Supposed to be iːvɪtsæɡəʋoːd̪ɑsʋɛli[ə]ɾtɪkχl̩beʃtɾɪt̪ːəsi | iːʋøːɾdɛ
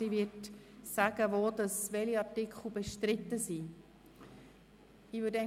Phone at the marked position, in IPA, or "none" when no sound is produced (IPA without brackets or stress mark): ɑ